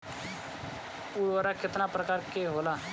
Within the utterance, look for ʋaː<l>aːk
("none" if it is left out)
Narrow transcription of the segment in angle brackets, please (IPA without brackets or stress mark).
ɾ